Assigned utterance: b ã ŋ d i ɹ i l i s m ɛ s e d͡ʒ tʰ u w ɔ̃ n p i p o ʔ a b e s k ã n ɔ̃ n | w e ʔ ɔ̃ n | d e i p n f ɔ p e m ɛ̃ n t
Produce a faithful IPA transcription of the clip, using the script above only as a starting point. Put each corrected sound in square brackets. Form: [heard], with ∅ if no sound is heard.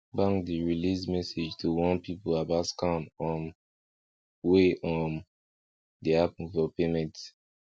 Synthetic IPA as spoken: b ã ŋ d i ɹ i l i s m ɛ s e d͡ʒ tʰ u w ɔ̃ n p i p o [∅] a b [a] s k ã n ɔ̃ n | w e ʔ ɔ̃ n | d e [a] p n f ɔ p e m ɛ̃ n t